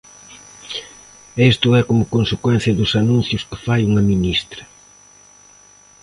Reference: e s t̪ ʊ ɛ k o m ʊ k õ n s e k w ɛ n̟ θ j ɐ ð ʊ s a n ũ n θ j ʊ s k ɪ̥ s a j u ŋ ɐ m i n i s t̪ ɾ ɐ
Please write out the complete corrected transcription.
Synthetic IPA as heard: e s t̪ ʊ ɛ k o m ʊ k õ n s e k w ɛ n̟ θ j ɐ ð ʊ s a n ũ n θ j ʊ s k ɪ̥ f a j u ŋ ɐ m i n i s t̪ ɾ ɐ